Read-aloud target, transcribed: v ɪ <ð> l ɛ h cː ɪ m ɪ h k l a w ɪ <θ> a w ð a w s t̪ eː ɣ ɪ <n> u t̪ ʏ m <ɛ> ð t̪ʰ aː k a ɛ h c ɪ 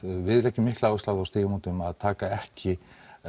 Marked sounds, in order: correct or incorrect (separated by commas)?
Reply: correct, incorrect, incorrect, incorrect